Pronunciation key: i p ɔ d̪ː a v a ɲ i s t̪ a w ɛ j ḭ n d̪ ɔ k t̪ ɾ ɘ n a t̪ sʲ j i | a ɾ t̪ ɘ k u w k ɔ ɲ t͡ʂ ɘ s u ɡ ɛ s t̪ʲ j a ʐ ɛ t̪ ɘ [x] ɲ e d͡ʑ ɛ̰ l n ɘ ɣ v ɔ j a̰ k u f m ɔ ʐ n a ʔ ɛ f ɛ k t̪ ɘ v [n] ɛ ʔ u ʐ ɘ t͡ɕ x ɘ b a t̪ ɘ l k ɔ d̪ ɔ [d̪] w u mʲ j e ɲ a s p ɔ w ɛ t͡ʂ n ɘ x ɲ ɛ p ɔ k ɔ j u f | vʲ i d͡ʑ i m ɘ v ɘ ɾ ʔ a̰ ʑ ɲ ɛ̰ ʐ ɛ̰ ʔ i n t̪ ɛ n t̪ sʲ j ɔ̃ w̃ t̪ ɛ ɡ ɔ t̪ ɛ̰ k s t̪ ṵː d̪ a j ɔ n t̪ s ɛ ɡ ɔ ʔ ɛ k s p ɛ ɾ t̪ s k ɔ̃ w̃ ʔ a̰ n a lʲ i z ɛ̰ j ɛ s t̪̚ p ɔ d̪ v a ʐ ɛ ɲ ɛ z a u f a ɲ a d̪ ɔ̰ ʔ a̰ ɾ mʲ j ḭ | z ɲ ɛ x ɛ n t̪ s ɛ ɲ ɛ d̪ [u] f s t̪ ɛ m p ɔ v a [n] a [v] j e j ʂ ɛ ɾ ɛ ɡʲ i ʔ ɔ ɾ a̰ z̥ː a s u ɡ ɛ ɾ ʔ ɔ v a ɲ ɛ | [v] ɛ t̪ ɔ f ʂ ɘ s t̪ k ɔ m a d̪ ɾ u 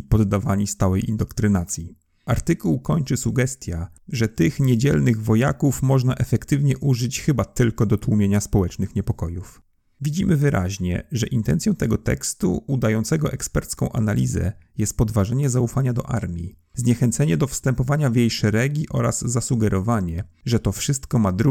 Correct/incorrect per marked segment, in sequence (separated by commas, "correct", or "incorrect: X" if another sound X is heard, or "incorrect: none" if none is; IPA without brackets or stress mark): correct, incorrect: ɲ, incorrect: t̪, incorrect: ɔ, incorrect: ɲ, correct, incorrect: ʐ